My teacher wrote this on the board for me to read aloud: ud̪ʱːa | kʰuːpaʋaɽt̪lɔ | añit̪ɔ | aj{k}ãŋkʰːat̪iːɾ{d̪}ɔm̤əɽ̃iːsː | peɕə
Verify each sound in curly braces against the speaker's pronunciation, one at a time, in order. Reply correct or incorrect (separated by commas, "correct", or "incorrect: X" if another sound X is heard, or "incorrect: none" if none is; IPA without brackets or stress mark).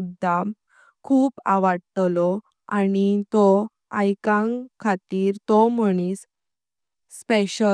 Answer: correct, incorrect: t̪